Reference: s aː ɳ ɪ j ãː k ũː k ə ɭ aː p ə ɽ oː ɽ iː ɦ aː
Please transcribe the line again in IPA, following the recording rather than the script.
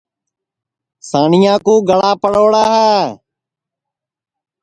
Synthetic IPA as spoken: s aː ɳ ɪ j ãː k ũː ɡ ə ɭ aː p ə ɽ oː ɽ aː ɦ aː